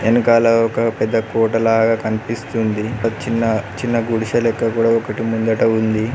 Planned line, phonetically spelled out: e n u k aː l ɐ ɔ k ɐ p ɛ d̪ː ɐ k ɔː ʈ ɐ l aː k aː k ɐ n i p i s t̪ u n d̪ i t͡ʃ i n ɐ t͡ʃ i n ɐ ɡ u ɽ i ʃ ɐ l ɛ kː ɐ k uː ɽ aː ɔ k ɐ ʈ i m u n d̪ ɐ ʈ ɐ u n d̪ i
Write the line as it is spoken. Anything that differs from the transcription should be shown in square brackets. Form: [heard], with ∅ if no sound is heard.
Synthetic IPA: e n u k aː l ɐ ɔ k ɐ p ɛ d̪ː ɐ k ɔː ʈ ɐ l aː [ɡ] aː k ɐ n i p i s t̪ u n d̪ i t͡ʃ i [nː] ɐ t͡ʃ i [nː] ɐ ɡ u ɽ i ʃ ɐ l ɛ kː ɐ k uː ɽ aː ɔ k ɐ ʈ i m u n d̪ ɐ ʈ ɐ u n d̪ i